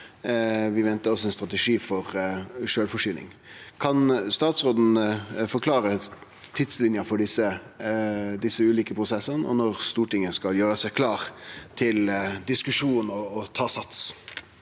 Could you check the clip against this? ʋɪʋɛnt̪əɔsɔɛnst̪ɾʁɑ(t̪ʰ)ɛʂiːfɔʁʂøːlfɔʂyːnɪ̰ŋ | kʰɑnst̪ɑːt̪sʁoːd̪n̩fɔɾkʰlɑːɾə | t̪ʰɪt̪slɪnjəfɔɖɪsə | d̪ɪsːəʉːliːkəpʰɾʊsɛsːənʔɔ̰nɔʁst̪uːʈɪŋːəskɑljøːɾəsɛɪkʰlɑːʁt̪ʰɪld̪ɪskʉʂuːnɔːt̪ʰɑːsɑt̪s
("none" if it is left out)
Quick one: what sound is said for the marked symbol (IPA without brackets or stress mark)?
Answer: t̪